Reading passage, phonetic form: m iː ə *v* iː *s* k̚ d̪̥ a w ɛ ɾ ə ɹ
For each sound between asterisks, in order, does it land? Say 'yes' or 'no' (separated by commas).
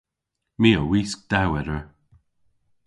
no, yes